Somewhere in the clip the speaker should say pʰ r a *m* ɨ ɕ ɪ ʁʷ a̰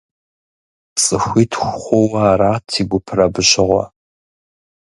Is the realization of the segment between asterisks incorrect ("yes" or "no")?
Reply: yes